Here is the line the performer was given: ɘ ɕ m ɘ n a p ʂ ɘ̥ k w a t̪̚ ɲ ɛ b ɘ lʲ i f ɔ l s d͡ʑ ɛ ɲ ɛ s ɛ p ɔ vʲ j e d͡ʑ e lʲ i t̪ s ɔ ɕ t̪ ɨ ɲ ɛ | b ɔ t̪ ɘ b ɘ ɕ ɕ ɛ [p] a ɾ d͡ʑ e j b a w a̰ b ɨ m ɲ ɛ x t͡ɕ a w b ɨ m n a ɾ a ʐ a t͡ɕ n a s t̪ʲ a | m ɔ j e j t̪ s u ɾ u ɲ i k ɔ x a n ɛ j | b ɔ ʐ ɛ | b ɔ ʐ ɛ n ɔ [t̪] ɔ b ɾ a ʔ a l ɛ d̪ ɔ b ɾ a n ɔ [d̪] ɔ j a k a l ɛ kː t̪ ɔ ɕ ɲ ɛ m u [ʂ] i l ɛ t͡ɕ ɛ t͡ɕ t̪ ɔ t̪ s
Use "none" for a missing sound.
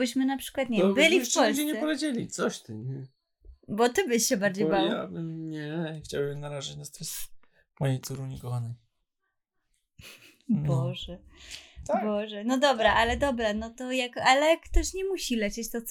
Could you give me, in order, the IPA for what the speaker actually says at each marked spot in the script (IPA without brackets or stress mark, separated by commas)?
b, d̪, t̪, ɕ